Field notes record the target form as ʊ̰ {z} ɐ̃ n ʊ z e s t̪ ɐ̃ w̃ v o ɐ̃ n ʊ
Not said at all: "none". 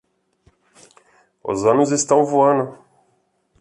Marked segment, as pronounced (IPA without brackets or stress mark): z